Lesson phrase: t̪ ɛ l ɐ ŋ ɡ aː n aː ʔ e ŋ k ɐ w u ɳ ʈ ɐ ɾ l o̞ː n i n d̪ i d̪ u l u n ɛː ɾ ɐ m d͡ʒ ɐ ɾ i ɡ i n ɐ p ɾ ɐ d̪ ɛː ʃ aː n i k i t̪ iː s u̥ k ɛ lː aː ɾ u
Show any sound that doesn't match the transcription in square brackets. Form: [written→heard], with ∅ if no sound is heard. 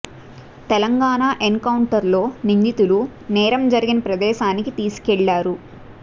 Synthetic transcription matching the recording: t̪ ɛ l ɐ ŋ ɡ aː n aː ʔ e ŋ k ɐ w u ɳ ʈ ɐ ɾ l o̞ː n i n d̪ i [d̪→t̪] u l u n ɛː ɾ ɐ m d͡ʒ ɐ ɾ i ɡ i n ɐ p ɾ ɐ d̪ ɛː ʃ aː n i k i t̪ iː s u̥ k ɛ [lː→ɭː] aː ɾ u